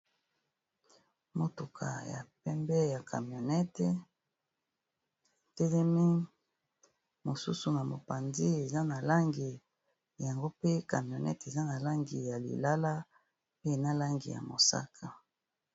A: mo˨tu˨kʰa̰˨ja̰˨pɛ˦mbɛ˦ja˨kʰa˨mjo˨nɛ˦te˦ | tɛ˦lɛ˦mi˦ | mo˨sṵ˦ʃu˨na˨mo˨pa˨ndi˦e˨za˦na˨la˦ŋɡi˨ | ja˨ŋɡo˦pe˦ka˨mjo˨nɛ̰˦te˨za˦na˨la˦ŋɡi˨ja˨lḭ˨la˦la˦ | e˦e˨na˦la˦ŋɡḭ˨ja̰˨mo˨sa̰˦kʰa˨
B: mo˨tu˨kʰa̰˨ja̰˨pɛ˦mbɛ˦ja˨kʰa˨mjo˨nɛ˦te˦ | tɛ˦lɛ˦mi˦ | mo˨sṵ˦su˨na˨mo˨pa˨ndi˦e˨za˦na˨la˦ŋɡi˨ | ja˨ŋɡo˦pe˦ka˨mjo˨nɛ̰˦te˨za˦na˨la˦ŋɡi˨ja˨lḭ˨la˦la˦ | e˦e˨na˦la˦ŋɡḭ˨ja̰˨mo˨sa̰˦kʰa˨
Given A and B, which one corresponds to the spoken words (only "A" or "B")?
B